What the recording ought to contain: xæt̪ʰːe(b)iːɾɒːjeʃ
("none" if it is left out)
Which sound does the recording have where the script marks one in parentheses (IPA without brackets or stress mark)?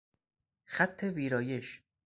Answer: v